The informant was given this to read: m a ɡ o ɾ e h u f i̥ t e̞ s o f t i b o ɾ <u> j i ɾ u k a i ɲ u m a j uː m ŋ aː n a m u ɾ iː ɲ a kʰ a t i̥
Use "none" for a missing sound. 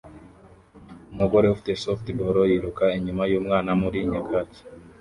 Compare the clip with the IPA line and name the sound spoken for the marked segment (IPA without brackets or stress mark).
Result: o